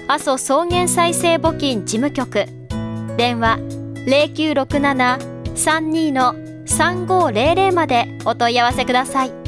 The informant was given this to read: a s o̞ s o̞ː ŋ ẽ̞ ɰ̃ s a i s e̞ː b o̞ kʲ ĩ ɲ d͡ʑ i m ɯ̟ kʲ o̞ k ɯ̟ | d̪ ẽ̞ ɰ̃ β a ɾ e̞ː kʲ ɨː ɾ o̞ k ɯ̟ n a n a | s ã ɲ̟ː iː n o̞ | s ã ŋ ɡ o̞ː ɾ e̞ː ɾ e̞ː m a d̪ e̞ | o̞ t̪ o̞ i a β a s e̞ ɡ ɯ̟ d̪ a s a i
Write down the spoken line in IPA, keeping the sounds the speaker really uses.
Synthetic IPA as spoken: a s o̞ s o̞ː ŋ ẽ̞ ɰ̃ s a i s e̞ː b o̞ kʲ ĩ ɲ d͡ʑ i m ɯ̟ kʲ o̞ k ɯ̟ | d̪ ẽ̞ ɰ̃ β a ɾ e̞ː kʲ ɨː ɾ o̞ k ɯ̟ n a n a | s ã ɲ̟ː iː n o̞ | s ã ŋ ɡ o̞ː ɾ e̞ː ɾ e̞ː m a d̪ e̞ | o̞ t̪ o̞ i a β a s e̞ k ɯ̟ d̪ a s a i